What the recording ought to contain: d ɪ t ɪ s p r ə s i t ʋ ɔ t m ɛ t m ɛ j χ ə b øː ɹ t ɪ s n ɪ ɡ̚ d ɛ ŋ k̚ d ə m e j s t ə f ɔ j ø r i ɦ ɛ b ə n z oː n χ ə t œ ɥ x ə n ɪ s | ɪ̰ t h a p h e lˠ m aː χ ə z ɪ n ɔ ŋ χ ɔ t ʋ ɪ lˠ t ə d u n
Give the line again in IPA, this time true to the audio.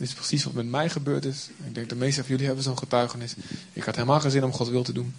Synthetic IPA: d ɪ t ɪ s p r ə s i s ʋ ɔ t m ɛ t m ɛ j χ ə b øː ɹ t ɪ s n ɪ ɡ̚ d ɛ ŋ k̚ d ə m e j s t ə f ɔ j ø l i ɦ ɛ b ə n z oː n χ ə t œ ɥ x ə n ɪ s | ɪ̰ k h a t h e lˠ m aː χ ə z ɪ n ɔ m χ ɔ t ʋ ɪ lˠ t ə d u n